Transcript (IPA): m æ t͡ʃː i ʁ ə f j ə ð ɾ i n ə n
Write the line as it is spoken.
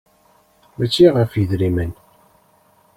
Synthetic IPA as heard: m æ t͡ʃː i ʁ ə f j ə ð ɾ i m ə n